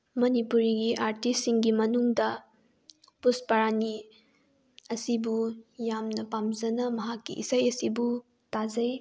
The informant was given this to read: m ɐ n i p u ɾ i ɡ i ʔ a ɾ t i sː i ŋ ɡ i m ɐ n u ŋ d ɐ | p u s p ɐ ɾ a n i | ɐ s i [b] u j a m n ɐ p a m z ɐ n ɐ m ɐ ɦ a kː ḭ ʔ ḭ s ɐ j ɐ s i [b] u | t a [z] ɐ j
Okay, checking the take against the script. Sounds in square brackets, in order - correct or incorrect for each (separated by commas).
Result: correct, correct, correct